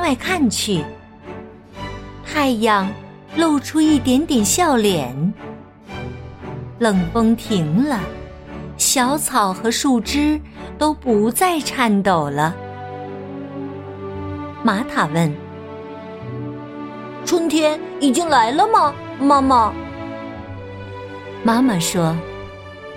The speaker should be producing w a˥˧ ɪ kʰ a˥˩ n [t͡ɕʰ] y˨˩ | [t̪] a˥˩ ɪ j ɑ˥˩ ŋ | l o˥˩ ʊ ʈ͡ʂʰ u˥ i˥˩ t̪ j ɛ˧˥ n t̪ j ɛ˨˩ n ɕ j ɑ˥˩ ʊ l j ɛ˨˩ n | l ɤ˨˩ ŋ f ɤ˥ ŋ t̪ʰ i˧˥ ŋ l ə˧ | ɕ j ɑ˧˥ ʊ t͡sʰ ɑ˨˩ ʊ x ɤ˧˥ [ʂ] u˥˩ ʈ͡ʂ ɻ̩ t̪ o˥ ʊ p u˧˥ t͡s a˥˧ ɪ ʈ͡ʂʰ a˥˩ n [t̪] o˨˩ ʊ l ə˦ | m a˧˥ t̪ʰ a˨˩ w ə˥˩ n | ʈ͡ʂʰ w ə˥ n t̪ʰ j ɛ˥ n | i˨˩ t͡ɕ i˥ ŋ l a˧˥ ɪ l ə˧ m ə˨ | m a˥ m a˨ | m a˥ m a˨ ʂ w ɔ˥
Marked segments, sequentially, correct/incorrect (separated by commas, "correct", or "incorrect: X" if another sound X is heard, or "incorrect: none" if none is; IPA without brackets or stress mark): correct, incorrect: t̪ʰ, correct, correct